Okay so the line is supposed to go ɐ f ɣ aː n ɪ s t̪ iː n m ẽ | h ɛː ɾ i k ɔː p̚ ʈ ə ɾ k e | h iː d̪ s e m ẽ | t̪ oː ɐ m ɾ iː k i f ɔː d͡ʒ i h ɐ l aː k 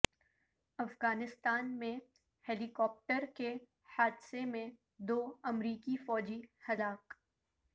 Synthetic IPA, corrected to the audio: ɐ f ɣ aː n ɪ s t̪ aː n m ẽ | h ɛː l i k ɔː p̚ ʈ ə ɾ k e | h aː d̪ s e m ẽ | d̪ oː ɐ m ɾ iː k i f ɔː d͡ʒ i h ɐ l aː k